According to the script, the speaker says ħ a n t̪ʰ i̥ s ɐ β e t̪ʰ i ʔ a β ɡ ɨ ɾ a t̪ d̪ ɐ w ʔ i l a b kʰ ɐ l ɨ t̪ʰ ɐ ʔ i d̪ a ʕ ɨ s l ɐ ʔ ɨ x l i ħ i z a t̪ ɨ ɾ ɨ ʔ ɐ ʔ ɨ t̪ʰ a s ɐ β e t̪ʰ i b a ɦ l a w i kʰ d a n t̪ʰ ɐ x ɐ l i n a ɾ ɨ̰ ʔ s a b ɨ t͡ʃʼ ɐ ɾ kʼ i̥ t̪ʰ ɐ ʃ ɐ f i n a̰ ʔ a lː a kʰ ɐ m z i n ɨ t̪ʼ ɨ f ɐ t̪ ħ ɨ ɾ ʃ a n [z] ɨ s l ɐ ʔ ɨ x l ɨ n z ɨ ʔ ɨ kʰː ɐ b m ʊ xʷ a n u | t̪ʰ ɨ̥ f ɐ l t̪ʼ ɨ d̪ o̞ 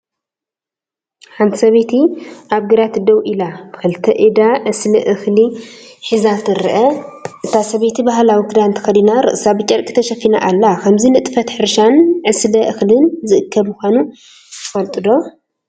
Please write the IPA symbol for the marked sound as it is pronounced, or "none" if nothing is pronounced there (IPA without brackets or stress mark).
ʕ